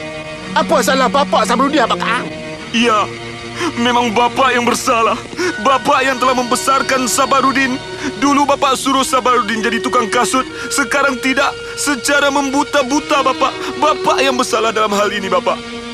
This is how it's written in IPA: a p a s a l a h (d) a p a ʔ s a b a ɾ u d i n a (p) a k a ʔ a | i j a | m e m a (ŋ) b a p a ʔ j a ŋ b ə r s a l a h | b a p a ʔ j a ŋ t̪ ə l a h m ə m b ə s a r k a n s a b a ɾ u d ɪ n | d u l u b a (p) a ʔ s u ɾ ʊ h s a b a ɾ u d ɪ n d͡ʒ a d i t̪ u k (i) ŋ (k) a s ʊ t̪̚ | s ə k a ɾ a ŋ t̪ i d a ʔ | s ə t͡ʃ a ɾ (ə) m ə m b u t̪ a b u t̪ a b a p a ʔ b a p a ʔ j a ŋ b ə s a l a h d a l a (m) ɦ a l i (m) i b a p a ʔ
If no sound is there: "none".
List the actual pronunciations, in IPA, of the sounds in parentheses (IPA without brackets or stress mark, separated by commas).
b, p, ŋ, p, a, k, a, m, n